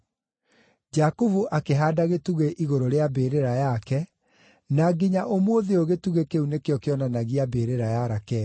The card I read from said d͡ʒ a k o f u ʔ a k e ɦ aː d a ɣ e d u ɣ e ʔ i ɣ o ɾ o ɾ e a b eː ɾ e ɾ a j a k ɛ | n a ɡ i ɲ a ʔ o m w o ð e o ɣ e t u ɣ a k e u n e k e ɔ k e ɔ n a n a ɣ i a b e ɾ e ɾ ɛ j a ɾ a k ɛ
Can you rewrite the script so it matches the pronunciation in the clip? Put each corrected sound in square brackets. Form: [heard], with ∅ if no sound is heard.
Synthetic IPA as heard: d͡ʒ a k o [v] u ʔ a k e ɦ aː d a ɣ e [t] u ɣ e ʔ i ɣ o ɾ o ɾ e a b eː ɾ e ɾ a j a k ɛ | n a ɡ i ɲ a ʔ o m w o ð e o ɣ e t u ɣ [e] k e u n e k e ɔ k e ɔ n a n a ɣ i a b e ɾ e ɾ [a] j a ɾ a k ɛ